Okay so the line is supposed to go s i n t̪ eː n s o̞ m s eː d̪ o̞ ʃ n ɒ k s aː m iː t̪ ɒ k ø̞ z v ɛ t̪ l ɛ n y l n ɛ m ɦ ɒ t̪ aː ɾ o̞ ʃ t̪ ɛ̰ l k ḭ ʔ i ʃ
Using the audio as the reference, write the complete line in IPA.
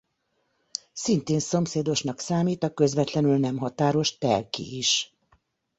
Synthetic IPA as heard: s i n t̪ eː n s o̞ m s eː d̪ o̞ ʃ n ɒ k s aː m iː t̪ ɒ k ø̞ z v ɛ t̪ l ɛ n y l n ɛ m ɦ ɒ t̪ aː ɾ o̞ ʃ t̪ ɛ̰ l k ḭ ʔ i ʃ